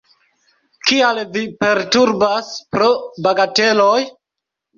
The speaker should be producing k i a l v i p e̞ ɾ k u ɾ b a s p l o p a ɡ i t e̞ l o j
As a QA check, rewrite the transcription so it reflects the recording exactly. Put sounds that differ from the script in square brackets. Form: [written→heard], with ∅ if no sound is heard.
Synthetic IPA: k i a l v i p e̞ ɾ [k→t] u ɾ b a s p [l→ɾ] o [p→b] a ɡ [i→a] t e̞ l o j